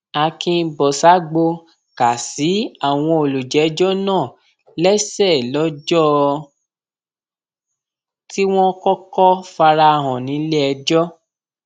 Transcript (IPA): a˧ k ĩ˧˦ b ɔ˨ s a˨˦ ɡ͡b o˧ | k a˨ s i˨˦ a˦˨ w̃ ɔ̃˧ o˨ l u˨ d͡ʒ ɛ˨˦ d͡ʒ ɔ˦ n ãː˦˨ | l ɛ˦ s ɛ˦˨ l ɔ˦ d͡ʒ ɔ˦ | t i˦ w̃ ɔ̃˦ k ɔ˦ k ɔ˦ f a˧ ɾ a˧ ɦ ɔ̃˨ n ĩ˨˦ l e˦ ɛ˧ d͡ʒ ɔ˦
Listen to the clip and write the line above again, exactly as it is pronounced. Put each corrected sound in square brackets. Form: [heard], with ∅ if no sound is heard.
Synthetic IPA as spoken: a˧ k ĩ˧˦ b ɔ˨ s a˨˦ ɡ͡b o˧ | k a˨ s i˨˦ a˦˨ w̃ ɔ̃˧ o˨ l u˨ d͡ʒ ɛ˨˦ d͡ʒ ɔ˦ n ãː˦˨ | l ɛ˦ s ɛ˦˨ l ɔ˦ d͡ʒ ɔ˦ | t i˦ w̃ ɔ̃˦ k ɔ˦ k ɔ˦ f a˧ ɾ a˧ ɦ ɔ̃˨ n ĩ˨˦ l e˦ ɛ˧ d͡ʒ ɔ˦

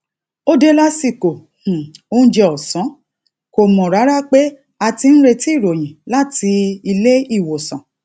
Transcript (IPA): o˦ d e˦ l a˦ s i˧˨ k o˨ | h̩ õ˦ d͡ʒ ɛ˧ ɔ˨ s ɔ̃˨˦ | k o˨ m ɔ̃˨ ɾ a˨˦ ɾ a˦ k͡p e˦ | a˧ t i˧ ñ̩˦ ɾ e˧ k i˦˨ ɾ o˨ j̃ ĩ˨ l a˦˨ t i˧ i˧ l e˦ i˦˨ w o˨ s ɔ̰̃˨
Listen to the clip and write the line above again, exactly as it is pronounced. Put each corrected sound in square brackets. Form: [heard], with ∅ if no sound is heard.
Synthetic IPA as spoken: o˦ d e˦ l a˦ s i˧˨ k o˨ | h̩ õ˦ d͡ʒ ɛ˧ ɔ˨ s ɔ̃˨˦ | k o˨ m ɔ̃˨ ɾ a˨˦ ɾ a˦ k͡p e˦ | a˧ t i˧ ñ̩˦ ɾ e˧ [t] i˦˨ ɾ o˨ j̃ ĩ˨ l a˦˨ t i˧ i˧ l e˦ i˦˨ w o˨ s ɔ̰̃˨

